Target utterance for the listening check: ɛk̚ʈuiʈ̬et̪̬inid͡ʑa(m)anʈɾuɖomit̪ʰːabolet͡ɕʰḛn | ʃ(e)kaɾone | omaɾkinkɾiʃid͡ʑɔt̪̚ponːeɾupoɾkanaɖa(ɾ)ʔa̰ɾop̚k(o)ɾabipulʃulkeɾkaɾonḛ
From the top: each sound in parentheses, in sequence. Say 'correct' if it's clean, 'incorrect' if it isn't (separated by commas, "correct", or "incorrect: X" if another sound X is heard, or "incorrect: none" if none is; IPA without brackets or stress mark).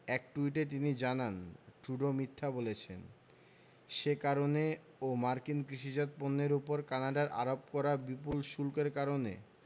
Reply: incorrect: n, correct, correct, incorrect: ɔ